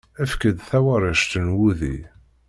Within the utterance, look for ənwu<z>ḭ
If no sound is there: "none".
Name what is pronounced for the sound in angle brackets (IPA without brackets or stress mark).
ð